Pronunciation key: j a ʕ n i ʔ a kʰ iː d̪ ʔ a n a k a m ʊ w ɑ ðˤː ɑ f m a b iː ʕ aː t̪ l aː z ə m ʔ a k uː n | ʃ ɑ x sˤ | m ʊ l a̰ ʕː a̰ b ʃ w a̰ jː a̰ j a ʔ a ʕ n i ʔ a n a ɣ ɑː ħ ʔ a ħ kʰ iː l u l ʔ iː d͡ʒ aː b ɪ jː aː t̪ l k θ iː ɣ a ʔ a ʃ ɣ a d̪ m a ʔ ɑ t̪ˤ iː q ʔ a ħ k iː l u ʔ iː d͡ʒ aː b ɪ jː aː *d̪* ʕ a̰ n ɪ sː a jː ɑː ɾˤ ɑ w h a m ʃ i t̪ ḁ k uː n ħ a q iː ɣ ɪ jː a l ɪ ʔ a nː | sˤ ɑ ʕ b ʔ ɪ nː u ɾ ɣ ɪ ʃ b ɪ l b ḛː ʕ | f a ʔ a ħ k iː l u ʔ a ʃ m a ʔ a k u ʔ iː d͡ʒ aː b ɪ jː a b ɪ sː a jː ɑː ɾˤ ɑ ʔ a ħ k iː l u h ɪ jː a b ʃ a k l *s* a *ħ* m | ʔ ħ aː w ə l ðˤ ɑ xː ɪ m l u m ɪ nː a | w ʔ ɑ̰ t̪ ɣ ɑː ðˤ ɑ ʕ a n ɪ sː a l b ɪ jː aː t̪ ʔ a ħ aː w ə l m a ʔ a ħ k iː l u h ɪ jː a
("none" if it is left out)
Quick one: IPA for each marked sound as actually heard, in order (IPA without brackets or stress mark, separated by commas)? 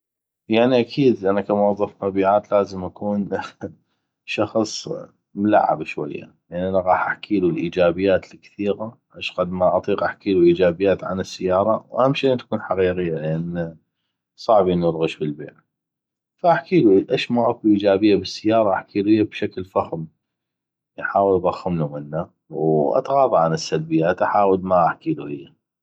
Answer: t̪, f, x